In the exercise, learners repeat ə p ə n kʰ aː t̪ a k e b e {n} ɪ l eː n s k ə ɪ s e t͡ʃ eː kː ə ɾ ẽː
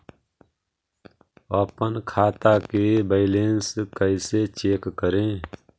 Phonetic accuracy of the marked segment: incorrect: none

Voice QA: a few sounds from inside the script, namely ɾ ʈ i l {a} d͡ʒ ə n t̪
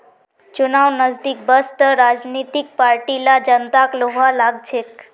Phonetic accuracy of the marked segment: correct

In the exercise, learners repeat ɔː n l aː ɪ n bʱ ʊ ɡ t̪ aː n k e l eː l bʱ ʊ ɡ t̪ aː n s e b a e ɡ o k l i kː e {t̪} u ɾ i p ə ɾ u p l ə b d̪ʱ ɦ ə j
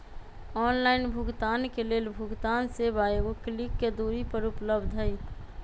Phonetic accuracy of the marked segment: incorrect: d̪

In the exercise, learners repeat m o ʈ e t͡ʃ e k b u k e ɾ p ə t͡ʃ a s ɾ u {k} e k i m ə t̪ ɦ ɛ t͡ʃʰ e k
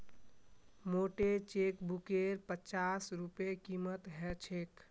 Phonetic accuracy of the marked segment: incorrect: p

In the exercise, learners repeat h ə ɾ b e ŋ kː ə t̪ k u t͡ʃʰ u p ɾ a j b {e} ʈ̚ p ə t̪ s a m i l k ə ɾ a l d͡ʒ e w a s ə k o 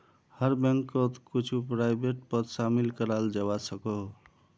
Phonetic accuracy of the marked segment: correct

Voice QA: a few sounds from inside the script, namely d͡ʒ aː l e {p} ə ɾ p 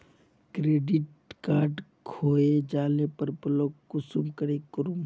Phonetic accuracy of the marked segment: correct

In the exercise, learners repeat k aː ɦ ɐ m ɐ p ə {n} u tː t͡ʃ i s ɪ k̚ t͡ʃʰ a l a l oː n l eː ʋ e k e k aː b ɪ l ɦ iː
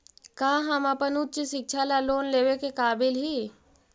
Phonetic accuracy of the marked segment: correct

